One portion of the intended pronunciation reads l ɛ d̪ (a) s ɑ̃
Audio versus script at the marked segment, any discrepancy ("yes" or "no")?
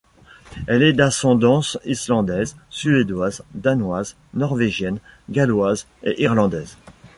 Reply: no